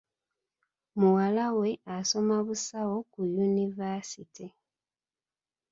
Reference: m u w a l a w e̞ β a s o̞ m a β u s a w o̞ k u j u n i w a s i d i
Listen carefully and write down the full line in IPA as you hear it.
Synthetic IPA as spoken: m u w a l a w e̞ a s o̞ m a β u s a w o̞ k u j u n i v a s i t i